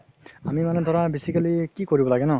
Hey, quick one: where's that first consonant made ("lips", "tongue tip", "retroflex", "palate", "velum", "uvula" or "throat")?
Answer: lips